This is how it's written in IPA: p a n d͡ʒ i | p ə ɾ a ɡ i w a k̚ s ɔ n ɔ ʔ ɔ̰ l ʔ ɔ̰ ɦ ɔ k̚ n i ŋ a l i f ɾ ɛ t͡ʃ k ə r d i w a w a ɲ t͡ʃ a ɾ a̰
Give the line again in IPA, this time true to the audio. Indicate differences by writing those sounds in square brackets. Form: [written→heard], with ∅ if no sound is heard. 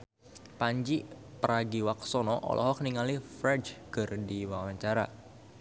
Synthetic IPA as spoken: p a [n→ɲ] d͡ʒ i | p ə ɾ a ɡ i w a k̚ s ɔ n ɔ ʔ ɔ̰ l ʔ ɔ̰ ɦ ɔ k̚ n i ŋ a l i f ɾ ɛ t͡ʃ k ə r d i w a w a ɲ t͡ʃ a ɾ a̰